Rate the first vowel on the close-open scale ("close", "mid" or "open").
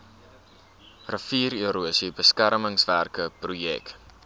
mid